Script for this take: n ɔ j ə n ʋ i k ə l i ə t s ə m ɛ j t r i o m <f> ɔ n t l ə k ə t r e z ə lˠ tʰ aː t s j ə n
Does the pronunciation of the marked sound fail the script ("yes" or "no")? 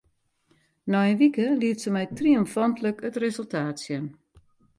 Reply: no